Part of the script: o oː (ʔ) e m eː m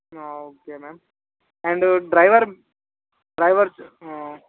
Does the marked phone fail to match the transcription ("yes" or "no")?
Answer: yes